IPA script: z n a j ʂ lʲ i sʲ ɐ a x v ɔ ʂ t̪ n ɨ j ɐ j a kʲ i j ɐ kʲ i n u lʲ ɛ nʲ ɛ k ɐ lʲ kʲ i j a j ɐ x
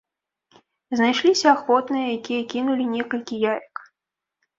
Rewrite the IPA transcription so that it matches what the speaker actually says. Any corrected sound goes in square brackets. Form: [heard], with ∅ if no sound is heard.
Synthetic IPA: z n a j ʂ lʲ i sʲ ɐ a x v ɔ [∅] t̪ n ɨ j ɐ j a kʲ i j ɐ kʲ i n u lʲ [i] nʲ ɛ k ɐ lʲ kʲ i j a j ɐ [k]